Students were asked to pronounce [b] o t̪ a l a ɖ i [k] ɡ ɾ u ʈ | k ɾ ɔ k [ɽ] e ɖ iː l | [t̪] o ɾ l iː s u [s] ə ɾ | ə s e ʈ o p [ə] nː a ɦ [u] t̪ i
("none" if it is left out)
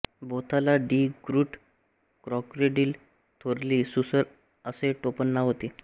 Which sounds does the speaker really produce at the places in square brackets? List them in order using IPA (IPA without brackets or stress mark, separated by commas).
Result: b, none, ɾ, t̪ʰ, s, ə, o